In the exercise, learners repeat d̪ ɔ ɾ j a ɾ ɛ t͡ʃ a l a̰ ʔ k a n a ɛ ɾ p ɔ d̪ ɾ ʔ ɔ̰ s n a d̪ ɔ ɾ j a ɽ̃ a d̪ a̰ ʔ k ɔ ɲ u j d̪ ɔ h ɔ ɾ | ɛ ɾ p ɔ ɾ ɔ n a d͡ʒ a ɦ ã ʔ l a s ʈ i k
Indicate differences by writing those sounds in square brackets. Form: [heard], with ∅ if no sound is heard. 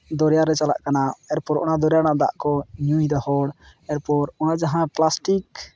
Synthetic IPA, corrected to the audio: d̪ ɔ ɾ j a ɾ ɛ t͡ʃ a l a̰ ʔ k a n a ɛ ɾ p ɔ [∅] ɾ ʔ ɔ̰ [∅] n a d̪ ɔ ɾ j a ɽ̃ a d̪ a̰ ʔ k ɔ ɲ u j d̪ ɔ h ɔ [ɽ] | ɛ ɾ p ɔ ɾ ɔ n a d͡ʒ a ɦ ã [p] l a s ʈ i k